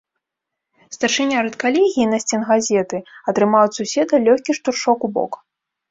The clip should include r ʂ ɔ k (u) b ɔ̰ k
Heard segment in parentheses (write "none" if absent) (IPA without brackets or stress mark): u